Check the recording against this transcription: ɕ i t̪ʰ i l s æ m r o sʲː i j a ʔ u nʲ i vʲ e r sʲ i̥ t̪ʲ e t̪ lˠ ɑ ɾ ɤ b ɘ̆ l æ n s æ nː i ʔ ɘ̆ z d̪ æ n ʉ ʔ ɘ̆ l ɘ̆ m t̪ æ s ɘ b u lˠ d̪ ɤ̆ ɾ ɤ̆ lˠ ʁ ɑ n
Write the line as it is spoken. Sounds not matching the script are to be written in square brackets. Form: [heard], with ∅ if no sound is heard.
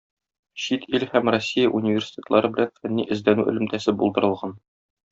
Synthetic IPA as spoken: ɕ i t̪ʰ i l [h] æ m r o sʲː i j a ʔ u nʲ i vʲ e r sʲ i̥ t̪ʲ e t̪ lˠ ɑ ɾ ɤ b ɘ̆ l æ n [f] æ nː i ʔ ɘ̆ z d̪ æ n ʉ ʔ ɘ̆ l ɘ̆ m t̪ æ s ɘ b u lˠ d̪ ɤ̆ ɾ ɤ̆ lˠ ʁ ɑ n

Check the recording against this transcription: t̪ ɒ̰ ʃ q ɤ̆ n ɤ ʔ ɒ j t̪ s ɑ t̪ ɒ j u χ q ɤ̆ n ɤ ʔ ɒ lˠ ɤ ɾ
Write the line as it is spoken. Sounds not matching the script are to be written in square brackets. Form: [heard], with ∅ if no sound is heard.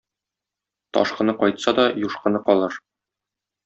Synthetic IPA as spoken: t̪ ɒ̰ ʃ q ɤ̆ n ɤ [q] ɒ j t̪ s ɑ [d̪] ɒ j u [ʃ] q ɤ̆ n ɤ [q] ɒ lˠ ɤ ɾ

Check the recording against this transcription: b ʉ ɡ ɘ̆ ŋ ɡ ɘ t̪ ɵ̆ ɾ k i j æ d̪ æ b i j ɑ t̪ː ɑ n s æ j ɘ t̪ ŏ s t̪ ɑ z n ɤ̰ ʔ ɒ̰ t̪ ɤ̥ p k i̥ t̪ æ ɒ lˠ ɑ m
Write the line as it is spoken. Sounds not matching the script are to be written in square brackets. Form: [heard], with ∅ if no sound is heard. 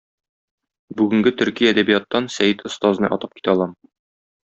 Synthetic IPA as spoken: b ʉ ɡ ɘ̆ ŋ ɡ ɘ t̪ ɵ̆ ɾ k i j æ d̪ æ b i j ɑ t̪ː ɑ n s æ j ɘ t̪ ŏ s t̪ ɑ z n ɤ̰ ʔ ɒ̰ t̪ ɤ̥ p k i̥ t̪ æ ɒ lˠ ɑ m

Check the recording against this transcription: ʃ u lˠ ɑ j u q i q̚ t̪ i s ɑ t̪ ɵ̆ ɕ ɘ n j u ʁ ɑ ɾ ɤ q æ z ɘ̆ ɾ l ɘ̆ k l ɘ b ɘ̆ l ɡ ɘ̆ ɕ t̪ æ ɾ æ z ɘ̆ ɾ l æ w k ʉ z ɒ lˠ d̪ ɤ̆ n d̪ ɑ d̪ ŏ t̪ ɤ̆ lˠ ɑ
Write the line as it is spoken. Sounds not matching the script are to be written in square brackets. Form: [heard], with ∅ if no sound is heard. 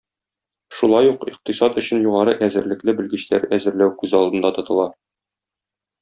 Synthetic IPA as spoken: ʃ u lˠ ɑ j u q i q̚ t̪ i s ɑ t̪ ɵ̆ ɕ ɘ n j u ʁ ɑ ɾ ɤ [ʔ] æ z ɘ̆ ɾ l ɘ̆ k l ɘ b ɘ̆ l ɡ ɘ̆ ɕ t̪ æ ɾ æ z ɘ̆ ɾ l æ w k ʉ z ɒ lˠ d̪ ɤ̆ n d̪ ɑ [t̪] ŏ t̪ ɤ̆ lˠ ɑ

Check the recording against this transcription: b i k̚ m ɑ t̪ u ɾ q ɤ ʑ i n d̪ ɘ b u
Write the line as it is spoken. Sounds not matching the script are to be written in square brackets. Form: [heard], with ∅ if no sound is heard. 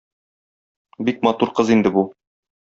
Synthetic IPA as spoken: b i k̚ m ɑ t̪ u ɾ q ɤ [z] i n d̪ ɘ b u

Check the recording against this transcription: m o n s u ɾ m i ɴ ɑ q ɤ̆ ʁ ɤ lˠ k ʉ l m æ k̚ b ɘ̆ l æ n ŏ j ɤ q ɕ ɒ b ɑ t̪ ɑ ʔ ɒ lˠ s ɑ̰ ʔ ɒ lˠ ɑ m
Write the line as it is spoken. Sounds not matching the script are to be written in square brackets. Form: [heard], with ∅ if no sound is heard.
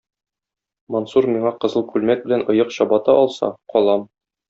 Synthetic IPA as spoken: m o n s u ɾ m i ɴ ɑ q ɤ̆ [z] ɤ lˠ k ʉ l m æ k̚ b ɘ̆ l æ n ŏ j ɤ q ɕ ɒ b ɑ t̪ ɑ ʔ ɒ lˠ s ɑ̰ [q] ɒ lˠ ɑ m

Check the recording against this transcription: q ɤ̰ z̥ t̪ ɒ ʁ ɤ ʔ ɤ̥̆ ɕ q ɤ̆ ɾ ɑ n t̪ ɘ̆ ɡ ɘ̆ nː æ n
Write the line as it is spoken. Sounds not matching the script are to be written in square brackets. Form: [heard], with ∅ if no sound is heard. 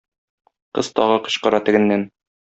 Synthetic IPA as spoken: q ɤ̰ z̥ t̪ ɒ ʁ ɤ [q] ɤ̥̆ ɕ q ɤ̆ ɾ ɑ [∅] t̪ ɘ̆ ɡ ɘ̆ nː æ n

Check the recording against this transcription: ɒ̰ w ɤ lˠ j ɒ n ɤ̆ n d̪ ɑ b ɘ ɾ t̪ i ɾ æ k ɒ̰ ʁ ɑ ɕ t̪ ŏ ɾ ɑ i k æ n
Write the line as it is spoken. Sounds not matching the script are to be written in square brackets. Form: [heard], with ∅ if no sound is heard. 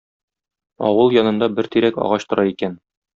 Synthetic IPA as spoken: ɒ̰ w ɤ lˠ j ɒ n ɤ̆ n d̪ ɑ b ɘ ɾ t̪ i ɾ æ k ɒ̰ ʁ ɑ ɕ t̪ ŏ ɾ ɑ i k æ n

